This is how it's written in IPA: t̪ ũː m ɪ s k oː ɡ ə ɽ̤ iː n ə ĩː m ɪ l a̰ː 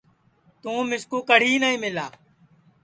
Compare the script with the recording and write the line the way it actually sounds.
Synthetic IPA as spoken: t̪ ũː m ɪ s k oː k ə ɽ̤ iː n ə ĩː m ɪ l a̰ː